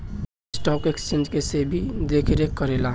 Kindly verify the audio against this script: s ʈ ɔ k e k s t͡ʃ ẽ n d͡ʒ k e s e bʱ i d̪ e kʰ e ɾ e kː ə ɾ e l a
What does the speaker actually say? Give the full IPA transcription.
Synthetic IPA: s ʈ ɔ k e k s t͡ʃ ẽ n d͡ʒ k e s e bʱ i d̪ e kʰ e ɾ e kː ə ɾ e l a